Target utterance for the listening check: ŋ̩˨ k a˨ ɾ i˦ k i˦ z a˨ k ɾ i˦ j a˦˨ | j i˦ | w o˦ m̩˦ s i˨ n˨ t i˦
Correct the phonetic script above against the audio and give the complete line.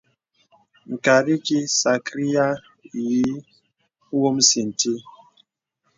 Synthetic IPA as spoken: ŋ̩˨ k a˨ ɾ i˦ k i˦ s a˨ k ɾ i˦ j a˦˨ | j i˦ | w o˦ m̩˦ s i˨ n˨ t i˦